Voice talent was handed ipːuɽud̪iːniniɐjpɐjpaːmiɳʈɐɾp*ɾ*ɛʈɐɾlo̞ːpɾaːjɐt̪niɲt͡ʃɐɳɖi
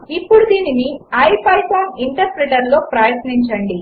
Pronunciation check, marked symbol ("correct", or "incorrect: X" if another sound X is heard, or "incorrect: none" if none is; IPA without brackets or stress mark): correct